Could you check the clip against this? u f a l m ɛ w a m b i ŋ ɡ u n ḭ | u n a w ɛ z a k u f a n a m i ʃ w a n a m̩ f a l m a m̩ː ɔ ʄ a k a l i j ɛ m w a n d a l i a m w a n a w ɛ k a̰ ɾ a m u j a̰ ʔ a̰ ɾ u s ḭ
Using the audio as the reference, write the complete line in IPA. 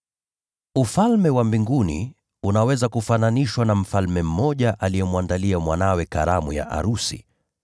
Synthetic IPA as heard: u f a l m ɛ w a m b i ŋ ɡ u n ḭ | u n a w ɛ z a k u f a n a n i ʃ w a n a m̩ f a l m ɛ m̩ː ɔ ʄ a ʔ a l i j ɛ m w a n d a l i a m w a n a w ɛ k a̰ ɾ a m u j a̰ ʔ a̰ ɾ u s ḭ